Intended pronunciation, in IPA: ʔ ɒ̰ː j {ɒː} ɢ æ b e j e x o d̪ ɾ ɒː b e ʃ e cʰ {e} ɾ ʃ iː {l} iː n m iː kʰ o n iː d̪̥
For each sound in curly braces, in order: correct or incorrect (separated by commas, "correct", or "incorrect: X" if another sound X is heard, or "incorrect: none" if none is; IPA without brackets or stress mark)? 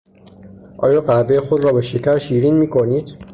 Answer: correct, incorrect: æ, incorrect: ɾ